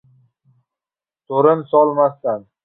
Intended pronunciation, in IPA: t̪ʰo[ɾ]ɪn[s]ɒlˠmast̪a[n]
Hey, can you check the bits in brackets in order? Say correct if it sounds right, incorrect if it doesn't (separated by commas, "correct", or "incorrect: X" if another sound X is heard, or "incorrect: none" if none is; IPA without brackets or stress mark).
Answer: correct, correct, correct